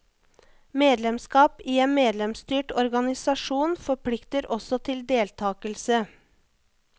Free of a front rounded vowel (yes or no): no